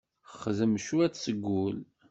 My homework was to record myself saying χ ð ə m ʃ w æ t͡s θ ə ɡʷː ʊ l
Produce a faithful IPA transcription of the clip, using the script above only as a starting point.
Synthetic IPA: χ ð ə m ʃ u æ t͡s s ə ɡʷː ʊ l